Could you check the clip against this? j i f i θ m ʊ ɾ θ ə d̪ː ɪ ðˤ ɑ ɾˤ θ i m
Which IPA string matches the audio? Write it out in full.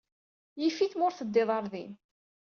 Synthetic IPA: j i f i θ m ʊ ɾ θ ə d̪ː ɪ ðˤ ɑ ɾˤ ð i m